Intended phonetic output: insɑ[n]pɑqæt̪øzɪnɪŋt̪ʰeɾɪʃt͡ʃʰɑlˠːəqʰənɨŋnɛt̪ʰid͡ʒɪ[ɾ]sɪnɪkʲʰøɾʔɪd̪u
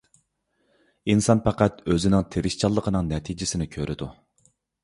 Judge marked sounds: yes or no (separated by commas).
yes, no